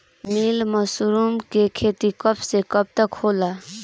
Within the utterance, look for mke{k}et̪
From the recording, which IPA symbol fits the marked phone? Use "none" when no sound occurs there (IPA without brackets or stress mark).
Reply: kʰ